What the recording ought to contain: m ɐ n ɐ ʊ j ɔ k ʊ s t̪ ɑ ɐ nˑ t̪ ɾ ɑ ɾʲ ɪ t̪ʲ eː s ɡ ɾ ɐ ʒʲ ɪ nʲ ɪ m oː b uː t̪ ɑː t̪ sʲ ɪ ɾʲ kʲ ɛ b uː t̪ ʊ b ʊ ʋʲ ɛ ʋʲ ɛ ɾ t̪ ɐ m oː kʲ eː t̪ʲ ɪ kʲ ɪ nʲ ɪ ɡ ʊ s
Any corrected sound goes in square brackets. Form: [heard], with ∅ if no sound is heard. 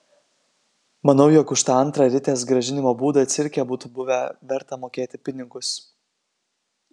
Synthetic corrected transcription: m ɐ n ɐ ʊ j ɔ k ʊ [ʃ] t̪ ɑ ɐ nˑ t̪ ɾ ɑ ɾʲ ɪ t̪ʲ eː s ɡ ɾ ɐ ʒʲ ɪ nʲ ɪ m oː b uː [d̪] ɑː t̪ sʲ ɪ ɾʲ kʲ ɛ b uː t̪ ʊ b ʊ ʋʲ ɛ ʋʲ ɛ ɾ t̪ ɐ m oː kʲ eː t̪ʲ ɪ [pʲ] ɪ nʲ ɪ ɡ ʊ s